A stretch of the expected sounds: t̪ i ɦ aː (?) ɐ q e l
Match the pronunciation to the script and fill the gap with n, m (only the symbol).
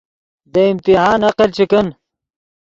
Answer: n